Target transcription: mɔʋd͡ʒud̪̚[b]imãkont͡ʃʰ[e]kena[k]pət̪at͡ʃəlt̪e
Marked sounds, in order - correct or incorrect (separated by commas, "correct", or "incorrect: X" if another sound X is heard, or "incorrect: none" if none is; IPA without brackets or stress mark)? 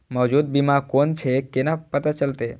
correct, correct, incorrect: none